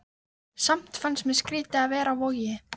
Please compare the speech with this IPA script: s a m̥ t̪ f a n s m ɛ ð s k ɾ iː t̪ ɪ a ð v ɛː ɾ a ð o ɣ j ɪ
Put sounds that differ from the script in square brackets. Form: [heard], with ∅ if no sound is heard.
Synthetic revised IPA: s a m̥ t̪ f a n s m ɛ ð s k ɾ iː t̪ ɪ a ð v ɛː ɾ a [v] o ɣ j ɪ